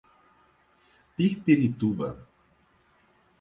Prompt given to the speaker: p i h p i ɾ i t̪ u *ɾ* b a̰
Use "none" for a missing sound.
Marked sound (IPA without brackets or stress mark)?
none